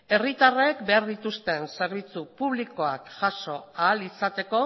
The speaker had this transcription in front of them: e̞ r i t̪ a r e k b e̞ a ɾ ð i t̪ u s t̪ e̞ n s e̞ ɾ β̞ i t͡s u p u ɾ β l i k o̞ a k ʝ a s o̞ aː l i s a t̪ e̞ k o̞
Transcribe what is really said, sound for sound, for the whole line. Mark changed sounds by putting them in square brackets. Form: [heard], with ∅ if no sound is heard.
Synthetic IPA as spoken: e̞ r i t̪ a r e k b e̞ a ɾ ð i t̪ u s t̪ e̞ n s e̞ ɾ β̞ i t͡s u p u [∅] β l i k o̞ a k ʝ a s o̞ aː l i s a t̪ e̞ k o̞